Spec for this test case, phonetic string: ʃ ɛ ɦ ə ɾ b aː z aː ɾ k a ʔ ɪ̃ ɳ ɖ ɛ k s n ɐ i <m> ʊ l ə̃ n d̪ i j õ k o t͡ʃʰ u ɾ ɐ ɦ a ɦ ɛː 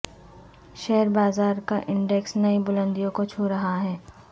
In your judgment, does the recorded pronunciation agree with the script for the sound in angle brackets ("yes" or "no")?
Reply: no